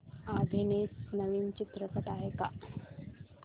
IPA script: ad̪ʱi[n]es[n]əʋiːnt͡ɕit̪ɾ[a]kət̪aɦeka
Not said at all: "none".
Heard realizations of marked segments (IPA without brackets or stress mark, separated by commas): n, n, ə